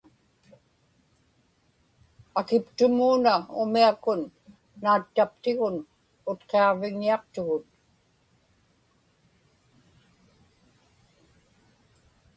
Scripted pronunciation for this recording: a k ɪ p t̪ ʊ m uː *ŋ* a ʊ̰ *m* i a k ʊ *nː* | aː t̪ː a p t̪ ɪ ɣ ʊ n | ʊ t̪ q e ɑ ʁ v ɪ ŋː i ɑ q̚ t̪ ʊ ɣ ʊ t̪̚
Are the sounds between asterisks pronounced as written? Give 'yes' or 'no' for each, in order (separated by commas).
no, yes, yes